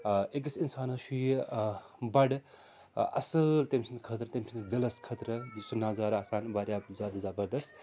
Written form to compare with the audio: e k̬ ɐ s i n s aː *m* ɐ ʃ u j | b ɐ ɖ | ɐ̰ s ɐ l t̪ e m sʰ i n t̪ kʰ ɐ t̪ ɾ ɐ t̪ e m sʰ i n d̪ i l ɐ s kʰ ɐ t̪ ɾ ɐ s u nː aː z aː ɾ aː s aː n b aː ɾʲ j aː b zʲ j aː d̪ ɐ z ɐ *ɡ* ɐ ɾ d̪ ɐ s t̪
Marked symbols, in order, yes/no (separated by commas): no, no